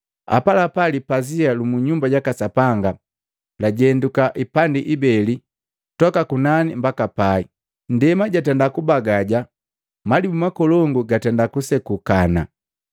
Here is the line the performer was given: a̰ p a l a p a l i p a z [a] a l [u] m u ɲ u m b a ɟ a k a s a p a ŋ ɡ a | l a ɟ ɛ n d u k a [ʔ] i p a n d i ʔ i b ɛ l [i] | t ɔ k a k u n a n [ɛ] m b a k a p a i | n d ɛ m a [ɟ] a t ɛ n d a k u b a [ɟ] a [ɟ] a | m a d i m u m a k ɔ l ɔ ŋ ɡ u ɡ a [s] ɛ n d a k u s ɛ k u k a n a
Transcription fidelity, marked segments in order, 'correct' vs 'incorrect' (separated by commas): incorrect, correct, correct, correct, incorrect, correct, incorrect, correct, incorrect